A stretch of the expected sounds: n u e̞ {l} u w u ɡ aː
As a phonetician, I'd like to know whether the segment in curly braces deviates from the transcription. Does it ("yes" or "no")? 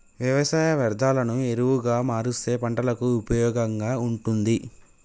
yes